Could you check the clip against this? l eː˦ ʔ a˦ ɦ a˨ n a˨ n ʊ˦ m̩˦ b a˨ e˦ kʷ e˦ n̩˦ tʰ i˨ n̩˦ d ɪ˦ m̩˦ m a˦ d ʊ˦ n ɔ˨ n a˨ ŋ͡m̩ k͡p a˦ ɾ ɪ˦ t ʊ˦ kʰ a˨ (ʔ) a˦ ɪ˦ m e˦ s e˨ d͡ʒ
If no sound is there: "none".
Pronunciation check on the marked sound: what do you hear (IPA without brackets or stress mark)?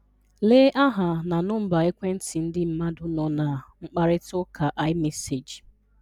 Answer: ʔ